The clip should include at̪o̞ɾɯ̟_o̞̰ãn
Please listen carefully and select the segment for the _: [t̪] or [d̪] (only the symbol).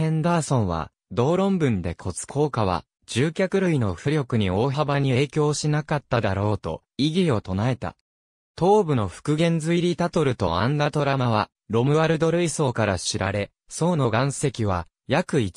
t̪